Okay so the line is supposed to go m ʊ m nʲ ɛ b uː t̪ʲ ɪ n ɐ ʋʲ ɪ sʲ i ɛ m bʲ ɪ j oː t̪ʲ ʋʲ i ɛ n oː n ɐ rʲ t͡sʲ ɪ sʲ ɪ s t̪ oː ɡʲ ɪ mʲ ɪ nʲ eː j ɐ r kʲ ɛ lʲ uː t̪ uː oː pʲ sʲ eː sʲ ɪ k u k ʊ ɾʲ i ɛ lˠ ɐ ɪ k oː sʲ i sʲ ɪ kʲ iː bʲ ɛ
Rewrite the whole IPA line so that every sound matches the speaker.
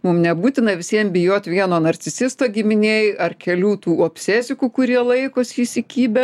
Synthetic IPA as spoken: m ʊ m nʲ ɛ b uː t̪ʲ ɪ n ɐ ʋʲ ɪ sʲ i ɛ m bʲ ɪ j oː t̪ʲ ʋʲ i ɛ n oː n ɐ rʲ t͡sʲ ɪ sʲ ɪ s t̪ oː ɡʲ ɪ mʲ ɪ nʲ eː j ɐ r kʲ ɛ lʲ uː t̪ uː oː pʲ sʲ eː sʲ ɪ k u k ʊ ɾʲ i ɛ lˠ ɐ ɪ k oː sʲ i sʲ ɪ kʲ iː bʲ ɛ

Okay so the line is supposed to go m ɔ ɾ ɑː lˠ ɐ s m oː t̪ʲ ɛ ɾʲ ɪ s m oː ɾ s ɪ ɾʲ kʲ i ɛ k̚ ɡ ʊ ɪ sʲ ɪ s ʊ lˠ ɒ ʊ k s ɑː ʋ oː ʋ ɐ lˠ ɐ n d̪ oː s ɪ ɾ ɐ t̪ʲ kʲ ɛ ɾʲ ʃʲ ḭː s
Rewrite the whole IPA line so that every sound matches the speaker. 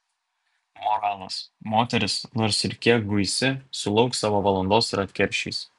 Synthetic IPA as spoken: m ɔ ɾ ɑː lˠ ɐ s m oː t̪ʲ ɛ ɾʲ ɪ s n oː ɾ s ɪ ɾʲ kʲ i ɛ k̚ ɡ ʊ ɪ sʲ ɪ s ʊ lˠ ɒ ʊ k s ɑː ʋ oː ʋ ɐ lˠ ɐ n d̪ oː s ɪ ɾ ɐ t̪ʲ kʲ ɛ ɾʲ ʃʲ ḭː s

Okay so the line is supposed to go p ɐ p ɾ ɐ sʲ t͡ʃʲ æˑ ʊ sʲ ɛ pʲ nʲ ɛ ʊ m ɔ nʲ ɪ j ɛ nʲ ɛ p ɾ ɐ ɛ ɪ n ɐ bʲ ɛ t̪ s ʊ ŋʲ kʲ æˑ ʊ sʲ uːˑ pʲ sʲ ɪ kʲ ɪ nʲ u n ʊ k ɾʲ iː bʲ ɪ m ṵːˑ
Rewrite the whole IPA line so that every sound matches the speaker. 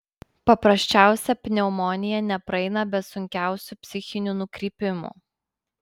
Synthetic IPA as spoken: p ɐ p ɾ ɐ sʲ t͡ʃʲ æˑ ʊ sʲ ɛ pʲ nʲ ɛ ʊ m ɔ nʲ ɪ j ɛ nʲ ɛ p ɾ ɐ ɛ ɪ n ɐ bʲ ɛ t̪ s ʊ ŋʲ kʲ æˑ ʊ sʲ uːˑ pʲ sʲ ɪ xʲ ɪ nʲ u n ʊ k ɾʲ iː pʲ ɪ m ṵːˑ

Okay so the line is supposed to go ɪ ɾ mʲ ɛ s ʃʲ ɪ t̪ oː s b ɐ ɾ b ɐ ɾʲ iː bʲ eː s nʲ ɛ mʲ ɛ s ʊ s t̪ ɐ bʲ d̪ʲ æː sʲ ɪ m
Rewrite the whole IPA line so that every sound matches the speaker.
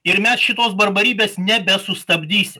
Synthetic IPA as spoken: ɪ ɾ mʲ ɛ s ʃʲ ɪ t̪ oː s b ɐ ɾ b ɐ ɾʲ iː bʲ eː s nʲ ɛ bʲ ɛ s ʊ s t̪ ɐ bʲ d̪ʲ iː sʲ ɪ m

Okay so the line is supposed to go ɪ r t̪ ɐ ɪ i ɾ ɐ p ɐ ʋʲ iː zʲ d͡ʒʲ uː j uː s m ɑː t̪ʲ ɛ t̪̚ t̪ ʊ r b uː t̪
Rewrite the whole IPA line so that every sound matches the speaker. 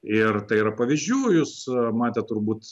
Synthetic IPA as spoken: ɪ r t̪ ɐ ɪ i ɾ ɐ p ɐ ʋʲ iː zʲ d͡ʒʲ uː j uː s m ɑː t̪ʲ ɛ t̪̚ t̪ ʊ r b uː t̪

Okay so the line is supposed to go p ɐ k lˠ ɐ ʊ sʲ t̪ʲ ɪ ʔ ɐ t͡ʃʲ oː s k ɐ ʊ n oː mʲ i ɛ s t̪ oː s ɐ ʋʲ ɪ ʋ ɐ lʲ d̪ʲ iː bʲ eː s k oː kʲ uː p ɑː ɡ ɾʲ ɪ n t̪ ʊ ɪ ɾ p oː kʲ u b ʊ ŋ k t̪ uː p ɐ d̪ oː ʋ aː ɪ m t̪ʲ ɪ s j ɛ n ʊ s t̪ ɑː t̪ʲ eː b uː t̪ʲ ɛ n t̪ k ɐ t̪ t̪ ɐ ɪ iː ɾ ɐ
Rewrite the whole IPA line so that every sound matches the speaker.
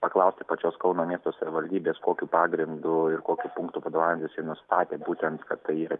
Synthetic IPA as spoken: p ɐ k lˠ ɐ ʊ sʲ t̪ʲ ɪ p ɐ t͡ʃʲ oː s k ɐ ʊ n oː mʲ i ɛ s t̪ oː s ɐ ʋʲ ɪ ʋ ɐ lʲ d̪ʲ iː bʲ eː s k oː kʲ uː p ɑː ɡ ɾʲ ɪ n d̪ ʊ ɪ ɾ k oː kʲ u p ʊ ŋ k t̪ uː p ɐ d̪ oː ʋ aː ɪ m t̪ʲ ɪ s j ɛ n ʊ s t̪ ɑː t̪ʲ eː b uː t̪ʲ ɛ n t̪ k ɐ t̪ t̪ ɐ ɪ iː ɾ ɐ

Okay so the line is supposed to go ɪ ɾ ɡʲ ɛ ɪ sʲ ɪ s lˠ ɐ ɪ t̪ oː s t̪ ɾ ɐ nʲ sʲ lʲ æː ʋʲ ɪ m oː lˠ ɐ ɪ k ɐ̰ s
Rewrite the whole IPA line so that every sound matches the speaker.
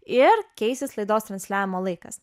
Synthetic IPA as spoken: ɪ ɾ kʲ ɛ ɪ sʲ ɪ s lˠ ɐ ɪ d̪ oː s t̪ ɾ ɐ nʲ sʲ lʲ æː ʋʲ ɪ m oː lˠ ɐ ɪ k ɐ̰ s

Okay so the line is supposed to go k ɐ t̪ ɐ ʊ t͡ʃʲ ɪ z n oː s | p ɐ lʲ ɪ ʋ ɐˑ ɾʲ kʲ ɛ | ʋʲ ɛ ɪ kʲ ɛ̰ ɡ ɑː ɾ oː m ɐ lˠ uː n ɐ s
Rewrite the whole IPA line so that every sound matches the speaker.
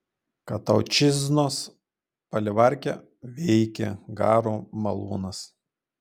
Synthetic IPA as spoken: k ɐ t̪ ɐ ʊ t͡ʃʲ ɪ z n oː s | p ɐ lʲ ɪ ʋ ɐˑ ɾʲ kʲ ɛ | ʋʲ ɛ ɪ kʲ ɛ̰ ɡ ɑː ɾ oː m ɐ lˠ uː n ɐ s

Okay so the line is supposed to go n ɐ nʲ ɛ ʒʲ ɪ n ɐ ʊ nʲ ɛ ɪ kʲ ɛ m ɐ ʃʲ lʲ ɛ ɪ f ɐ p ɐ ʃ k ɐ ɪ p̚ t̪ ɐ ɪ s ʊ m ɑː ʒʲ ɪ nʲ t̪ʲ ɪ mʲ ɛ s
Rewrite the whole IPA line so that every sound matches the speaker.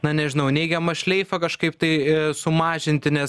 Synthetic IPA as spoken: n ɐ nʲ ɛ ʒʲ ɪ n ɐ ʊ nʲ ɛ ɪ ɡʲ ɛ m ɐ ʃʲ lʲ ɛ ɪ f ɐ k ɐ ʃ k ɐ ɪ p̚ t̪ ɐ ɪ s ʊ m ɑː ʒʲ ɪ nʲ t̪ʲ ɪ nʲ ɛ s

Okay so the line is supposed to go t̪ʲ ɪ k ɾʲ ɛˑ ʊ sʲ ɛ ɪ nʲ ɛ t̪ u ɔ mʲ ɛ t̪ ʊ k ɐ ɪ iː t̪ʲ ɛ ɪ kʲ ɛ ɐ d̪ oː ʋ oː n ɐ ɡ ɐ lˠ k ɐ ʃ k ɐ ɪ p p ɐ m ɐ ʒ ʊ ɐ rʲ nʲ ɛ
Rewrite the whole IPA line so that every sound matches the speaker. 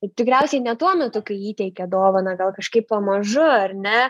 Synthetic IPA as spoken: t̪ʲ ɪ k ɾʲ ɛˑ ʊ sʲ ɛ ɪ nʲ ɛ t̪ u ɔ mʲ ɛ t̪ ʊ k ɐ ɪ iː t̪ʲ ɛ ɪ kʲ ɛ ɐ d̪ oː ʋ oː n ɐ ɡ ɐ lˠ k ɐ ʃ k ɐ ɪ p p ɐ m ɐ ʒ ʊ ɐ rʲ nʲ ɛ

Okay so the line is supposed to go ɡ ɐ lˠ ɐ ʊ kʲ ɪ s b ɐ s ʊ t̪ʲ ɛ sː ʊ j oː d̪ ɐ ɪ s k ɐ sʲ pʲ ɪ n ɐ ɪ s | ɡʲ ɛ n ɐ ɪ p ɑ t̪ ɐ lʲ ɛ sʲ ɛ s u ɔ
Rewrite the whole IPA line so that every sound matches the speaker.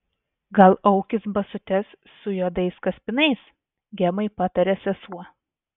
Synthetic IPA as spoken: ɡ ɐ lˠ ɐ ʊ kʲ ɪ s b ɐ s ʊ t̪ʲ ɛ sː ʊ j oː d̪ ɐ ɪ s k ɐ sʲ pʲ ɪ n ɐ ɪ s | ɡʲ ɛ m ɐ ɪ p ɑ t̪ ɐ ɾʲ ɛ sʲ ɛ s u ɔ

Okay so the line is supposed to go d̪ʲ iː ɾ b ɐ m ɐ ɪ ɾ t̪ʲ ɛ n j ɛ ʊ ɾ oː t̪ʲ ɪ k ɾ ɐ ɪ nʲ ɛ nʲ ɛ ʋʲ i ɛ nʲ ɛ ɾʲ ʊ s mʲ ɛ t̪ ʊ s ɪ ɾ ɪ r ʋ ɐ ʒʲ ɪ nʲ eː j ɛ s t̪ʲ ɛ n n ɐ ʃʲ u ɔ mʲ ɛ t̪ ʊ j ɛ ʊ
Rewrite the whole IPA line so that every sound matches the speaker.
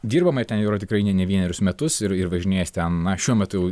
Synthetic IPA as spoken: d̪ʲ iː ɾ b ɐ m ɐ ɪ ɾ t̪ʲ ɛ n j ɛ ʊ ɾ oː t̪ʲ ɪ k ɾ ɐ ɪ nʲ ɛ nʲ ɛ ʋʲ i ɛ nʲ ɛ ɾʲ ʊ s mʲ ɛ t̪ ʊ s ɪ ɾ ɪ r ʋ ɐ ʒʲ ɪ nʲ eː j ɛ s t̪ʲ ɛ n n ɐ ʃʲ u ɔ mʲ ɛ t̪ ʊ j ɛ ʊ

